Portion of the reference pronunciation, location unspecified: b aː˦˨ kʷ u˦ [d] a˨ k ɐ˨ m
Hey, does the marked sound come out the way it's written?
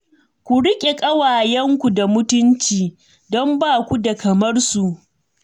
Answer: yes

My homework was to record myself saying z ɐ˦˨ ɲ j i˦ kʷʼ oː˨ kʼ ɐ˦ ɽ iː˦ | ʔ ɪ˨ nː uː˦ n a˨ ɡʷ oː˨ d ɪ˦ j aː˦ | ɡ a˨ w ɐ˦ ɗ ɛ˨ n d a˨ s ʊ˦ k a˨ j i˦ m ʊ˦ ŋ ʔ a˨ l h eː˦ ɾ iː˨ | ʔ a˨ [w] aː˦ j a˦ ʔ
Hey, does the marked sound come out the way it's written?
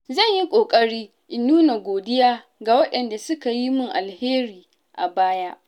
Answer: no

